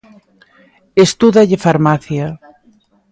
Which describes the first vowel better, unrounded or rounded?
unrounded